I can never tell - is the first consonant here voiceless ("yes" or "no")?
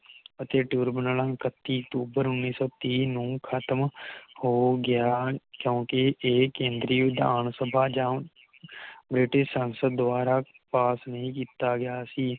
yes